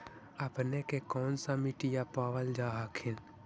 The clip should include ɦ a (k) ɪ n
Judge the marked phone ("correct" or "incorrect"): incorrect